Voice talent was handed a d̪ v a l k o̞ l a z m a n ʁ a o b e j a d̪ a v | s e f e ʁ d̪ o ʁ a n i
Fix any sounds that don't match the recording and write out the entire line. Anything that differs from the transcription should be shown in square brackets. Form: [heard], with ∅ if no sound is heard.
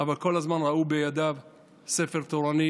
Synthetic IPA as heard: a [∅] v a l k o̞ l a z m a n ʁ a [u] b e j a d̪ a v | s e f e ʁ [t̪] o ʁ a n i